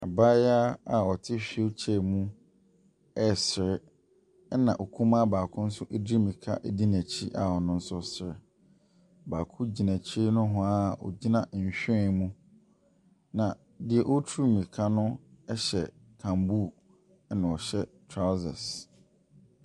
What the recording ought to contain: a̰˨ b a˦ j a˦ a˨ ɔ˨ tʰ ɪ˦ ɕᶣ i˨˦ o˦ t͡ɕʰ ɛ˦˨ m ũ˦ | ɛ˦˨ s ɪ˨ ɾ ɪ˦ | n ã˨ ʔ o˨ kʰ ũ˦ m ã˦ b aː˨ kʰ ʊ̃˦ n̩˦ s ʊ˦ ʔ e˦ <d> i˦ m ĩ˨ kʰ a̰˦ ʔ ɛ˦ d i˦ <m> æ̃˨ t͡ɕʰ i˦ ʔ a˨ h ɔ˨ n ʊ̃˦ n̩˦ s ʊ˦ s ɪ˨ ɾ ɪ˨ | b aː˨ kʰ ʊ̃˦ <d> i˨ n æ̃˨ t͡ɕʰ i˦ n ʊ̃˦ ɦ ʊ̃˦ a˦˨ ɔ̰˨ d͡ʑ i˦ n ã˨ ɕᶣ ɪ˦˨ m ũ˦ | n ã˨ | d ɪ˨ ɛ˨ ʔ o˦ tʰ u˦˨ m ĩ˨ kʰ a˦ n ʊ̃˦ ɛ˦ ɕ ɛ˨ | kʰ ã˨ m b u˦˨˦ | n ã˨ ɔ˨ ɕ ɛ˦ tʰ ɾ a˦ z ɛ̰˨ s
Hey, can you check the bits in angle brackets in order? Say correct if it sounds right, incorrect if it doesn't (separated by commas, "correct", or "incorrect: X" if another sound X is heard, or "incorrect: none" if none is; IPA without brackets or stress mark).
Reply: correct, incorrect: n, incorrect: d͡ʑ